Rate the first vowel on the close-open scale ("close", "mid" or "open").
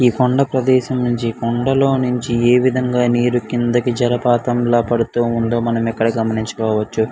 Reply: close